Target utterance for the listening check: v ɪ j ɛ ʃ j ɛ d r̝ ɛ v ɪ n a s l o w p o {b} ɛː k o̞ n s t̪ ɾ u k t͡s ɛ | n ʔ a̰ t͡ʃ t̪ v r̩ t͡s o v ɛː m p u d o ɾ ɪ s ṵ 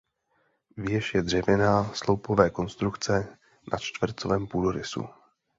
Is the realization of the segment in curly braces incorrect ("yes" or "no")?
yes